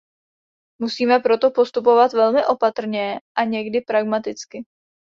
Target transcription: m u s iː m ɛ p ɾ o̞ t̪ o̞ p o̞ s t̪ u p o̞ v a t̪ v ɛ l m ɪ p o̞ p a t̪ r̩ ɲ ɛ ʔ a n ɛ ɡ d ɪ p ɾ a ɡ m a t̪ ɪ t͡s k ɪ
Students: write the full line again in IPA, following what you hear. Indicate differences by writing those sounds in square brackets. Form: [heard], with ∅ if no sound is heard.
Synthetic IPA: m u s iː m ɛ p ɾ o̞ t̪ o̞ p o̞ s t̪ u p o̞ v a t̪ v ɛ l m ɪ [ʔ] o̞ p a t̪ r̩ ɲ ɛ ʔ a [ɲ] ɛ ɡ d ɪ p ɾ a ɡ m a t̪ ɪ t͡s k ɪ